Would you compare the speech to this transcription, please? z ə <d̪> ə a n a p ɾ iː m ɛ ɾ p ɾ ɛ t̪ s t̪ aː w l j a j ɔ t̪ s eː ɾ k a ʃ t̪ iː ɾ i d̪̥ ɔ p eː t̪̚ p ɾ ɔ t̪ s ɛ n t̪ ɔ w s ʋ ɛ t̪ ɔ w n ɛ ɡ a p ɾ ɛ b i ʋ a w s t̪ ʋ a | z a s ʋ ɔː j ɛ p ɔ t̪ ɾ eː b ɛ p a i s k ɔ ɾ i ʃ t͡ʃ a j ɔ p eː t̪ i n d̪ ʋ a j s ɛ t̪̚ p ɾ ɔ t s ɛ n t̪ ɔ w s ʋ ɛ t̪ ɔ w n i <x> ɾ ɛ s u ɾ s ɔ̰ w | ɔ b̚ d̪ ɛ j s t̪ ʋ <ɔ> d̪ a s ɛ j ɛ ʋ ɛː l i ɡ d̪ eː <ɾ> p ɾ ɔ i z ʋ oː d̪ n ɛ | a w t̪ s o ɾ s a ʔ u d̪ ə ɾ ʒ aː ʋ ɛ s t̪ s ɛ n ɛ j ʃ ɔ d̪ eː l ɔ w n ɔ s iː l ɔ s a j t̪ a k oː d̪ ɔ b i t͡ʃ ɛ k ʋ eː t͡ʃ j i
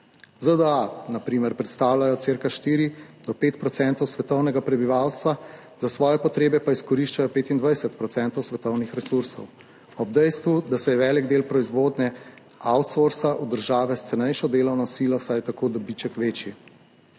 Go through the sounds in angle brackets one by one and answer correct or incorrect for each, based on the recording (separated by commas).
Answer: correct, correct, incorrect, incorrect